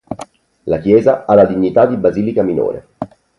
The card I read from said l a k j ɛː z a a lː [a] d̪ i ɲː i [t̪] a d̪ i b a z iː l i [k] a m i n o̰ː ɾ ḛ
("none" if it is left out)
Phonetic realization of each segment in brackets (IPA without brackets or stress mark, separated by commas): a, t̪, k